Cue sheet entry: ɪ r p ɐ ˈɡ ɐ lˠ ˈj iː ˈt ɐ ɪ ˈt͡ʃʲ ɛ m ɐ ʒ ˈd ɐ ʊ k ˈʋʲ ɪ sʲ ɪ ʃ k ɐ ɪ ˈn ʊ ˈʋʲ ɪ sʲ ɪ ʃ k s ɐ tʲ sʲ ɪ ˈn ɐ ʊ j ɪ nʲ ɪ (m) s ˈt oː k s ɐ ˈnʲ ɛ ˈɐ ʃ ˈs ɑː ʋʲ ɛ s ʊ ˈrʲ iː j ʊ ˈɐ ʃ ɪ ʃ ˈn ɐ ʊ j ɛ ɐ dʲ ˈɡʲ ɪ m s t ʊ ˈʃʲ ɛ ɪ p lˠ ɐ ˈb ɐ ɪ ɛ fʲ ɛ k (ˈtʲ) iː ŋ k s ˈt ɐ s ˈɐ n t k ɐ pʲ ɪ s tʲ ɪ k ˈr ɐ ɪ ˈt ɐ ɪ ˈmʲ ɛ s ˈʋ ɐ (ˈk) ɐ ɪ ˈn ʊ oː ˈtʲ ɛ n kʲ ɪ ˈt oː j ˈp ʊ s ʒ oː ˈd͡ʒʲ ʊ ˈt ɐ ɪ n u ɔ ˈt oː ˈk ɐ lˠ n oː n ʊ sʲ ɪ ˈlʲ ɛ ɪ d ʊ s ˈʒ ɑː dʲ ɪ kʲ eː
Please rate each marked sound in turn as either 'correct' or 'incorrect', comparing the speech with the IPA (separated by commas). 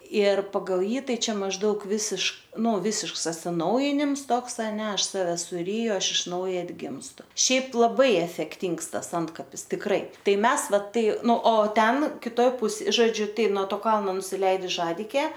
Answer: correct, correct, incorrect